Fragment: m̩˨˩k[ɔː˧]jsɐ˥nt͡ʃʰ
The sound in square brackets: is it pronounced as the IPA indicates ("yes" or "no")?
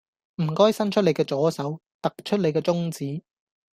no